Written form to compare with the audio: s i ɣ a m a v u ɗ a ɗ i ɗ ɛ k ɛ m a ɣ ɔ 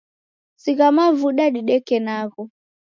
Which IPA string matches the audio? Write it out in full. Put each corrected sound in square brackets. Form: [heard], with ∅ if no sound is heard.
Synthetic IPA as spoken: s i ɣ a m a v u ɗ a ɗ i ɗ ɛ k ɛ [n] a ɣ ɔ